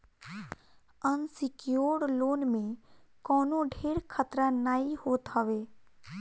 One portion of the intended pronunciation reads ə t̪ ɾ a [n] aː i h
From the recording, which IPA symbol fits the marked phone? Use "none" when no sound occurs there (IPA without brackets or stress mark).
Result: n